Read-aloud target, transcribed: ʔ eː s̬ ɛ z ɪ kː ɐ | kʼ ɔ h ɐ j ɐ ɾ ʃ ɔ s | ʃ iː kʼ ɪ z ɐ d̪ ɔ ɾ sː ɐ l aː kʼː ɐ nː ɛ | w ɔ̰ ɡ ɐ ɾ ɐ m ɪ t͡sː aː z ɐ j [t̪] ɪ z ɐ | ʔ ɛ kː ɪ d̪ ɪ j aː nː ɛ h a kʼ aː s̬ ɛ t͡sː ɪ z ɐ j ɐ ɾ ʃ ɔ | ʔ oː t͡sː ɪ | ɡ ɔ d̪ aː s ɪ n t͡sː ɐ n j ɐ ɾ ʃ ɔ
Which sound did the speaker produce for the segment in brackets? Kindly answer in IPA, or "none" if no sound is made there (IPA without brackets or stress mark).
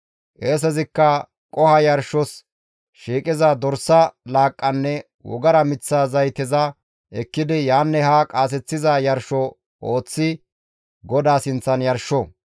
t̪